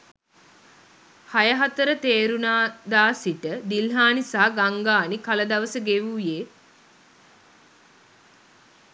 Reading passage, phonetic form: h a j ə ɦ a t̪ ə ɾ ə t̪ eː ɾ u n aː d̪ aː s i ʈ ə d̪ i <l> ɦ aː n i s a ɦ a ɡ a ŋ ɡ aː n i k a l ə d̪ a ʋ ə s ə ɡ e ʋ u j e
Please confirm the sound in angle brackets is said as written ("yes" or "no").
yes